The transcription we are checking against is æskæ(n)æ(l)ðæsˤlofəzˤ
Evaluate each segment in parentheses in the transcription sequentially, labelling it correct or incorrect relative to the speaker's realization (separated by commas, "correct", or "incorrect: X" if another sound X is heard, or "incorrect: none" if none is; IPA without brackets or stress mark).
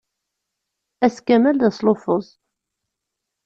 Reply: incorrect: m, correct